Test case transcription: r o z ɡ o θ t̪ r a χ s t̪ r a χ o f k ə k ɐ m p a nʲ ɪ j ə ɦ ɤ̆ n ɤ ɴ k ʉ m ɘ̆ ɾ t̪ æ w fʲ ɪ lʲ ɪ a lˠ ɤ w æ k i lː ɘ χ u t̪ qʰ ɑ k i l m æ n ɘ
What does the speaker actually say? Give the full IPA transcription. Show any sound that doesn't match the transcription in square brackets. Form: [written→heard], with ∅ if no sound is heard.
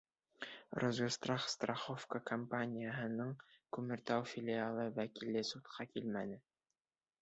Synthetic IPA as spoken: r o z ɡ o [θ→s] t̪ r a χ s t̪ r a χ o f k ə k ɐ m p a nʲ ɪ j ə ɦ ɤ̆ n ɤ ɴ k ʉ m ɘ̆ ɾ t̪ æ w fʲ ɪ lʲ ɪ a lˠ ɤ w æ k i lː ɘ [χ→s] u t̪ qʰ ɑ k i l m æ n ɘ

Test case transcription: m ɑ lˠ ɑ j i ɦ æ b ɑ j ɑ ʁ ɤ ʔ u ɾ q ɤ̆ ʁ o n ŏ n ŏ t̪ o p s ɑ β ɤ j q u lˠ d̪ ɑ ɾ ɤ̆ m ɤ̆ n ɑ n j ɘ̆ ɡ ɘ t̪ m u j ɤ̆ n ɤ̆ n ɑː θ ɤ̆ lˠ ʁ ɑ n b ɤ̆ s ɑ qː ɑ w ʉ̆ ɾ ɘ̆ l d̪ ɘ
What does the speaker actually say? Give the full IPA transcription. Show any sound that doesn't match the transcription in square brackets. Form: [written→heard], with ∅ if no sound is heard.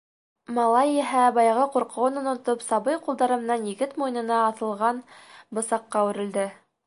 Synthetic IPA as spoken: m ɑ lˠ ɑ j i ɦ æ b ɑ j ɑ ʁ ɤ [ʔ→q] u ɾ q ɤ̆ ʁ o n ŏ n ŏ t̪ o p s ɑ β ɤ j q u lˠ d̪ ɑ ɾ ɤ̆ m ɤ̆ n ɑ n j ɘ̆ ɡ ɘ t̪ m u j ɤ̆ n ɤ̆ n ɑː θ ɤ̆ lˠ ʁ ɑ n b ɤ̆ s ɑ qː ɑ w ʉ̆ ɾ ɘ̆ l d̪ ɘ

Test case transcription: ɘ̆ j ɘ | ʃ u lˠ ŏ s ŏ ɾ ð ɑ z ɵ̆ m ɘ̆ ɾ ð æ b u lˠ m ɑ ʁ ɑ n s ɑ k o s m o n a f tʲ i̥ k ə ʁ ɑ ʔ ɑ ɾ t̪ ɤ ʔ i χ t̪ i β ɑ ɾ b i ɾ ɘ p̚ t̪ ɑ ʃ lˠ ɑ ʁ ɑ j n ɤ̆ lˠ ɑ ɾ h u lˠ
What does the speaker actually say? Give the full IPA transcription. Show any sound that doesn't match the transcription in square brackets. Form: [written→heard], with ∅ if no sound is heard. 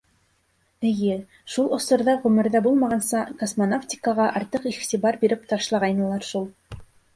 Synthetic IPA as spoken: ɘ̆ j ɘ | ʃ u lˠ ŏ s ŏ ɾ ð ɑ [z→ʁ] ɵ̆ m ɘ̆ ɾ ð æ b u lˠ m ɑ ʁ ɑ n s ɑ k o s m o n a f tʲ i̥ k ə ʁ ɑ ʔ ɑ ɾ t̪ ɤ [ʔ→q] i χ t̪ i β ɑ ɾ b i ɾ ɘ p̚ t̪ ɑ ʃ lˠ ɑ ʁ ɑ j n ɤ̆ lˠ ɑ ɾ [h→ʃ] u lˠ

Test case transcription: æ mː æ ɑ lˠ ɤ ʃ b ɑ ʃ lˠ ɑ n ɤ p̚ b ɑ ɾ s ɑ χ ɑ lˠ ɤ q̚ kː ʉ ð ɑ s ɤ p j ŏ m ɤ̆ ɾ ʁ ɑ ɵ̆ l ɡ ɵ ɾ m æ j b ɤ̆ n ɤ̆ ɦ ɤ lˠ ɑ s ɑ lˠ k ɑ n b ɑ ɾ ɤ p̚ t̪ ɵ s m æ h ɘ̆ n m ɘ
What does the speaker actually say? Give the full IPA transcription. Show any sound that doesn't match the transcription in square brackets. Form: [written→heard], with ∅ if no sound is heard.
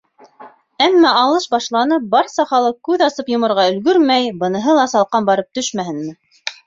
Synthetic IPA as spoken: æ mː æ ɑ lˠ ɤ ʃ b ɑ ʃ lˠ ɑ n ɤ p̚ b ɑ ɾ s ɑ χ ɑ lˠ ɤ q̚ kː ʉ ð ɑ s ɤ p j ŏ m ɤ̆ ɾ ʁ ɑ ɵ̆ l ɡ ɵ ɾ m æ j b ɤ̆ n ɤ̆ ɦ ɤ lˠ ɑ s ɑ lˠ [k→q] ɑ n b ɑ ɾ ɤ p̚ t̪ ɵ [s→ʃ] m æ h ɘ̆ n m ɘ

